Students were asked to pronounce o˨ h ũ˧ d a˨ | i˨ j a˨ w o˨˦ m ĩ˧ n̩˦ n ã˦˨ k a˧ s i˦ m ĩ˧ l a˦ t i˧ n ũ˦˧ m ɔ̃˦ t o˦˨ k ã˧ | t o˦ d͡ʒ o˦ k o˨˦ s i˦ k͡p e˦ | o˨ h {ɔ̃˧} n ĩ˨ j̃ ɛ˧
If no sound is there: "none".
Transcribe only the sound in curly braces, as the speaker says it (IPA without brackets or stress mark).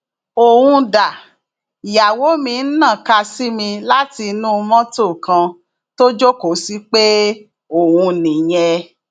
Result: ũ˧